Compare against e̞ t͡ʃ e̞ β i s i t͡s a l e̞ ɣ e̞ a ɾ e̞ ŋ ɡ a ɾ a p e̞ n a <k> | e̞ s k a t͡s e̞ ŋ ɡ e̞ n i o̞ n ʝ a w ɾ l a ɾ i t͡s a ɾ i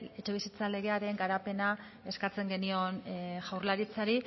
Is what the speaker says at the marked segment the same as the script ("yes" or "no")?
no